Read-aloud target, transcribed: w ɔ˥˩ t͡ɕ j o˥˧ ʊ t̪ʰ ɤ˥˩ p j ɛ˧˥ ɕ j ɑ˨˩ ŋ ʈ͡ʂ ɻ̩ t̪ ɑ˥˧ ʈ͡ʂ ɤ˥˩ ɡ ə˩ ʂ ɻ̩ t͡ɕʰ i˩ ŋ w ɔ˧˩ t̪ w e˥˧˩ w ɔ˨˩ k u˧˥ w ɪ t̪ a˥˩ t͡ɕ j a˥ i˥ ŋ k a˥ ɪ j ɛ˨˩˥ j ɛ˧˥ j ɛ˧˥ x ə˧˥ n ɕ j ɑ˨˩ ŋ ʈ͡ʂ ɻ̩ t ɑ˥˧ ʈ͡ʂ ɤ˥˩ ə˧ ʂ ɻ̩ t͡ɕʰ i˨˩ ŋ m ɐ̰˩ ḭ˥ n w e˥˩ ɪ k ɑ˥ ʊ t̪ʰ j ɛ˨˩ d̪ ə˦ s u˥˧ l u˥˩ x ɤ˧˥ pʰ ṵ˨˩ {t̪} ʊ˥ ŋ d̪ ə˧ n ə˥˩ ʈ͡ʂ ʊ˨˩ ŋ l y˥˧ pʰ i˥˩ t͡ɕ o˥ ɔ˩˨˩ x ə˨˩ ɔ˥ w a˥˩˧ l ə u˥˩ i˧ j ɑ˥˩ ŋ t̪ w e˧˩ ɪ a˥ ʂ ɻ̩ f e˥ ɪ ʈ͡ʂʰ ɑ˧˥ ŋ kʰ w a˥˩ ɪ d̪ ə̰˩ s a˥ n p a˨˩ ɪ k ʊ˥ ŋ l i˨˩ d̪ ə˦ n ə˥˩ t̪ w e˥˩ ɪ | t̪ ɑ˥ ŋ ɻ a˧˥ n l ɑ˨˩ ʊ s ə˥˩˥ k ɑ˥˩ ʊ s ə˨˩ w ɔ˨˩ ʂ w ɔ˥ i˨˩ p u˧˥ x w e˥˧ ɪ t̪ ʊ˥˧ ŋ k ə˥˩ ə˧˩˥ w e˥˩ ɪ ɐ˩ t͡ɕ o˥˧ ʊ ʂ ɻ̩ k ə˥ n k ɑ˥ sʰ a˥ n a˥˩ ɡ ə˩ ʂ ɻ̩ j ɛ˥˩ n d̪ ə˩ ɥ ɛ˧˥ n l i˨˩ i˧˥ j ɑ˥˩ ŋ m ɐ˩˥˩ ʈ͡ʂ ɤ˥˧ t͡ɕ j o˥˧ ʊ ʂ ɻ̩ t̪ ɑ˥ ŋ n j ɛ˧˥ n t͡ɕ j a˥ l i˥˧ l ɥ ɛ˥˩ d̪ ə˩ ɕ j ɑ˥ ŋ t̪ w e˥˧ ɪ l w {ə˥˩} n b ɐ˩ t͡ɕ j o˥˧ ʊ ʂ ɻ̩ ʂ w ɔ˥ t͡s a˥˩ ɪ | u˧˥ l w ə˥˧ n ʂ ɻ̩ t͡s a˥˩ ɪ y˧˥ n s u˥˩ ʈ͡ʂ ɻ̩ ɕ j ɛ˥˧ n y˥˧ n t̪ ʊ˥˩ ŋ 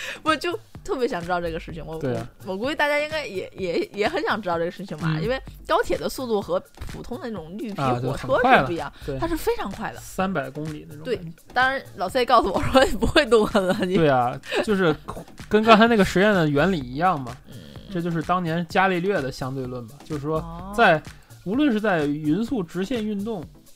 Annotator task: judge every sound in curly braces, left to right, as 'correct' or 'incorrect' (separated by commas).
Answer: incorrect, correct